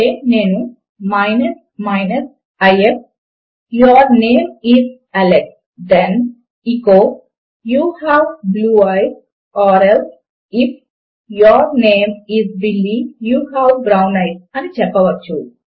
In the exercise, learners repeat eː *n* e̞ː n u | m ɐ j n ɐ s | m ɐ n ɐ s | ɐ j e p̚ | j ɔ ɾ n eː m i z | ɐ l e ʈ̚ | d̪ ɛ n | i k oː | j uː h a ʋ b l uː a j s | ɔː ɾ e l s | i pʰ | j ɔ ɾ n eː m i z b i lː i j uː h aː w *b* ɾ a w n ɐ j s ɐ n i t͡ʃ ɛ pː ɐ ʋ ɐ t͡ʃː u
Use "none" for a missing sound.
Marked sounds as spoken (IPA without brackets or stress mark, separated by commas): n, b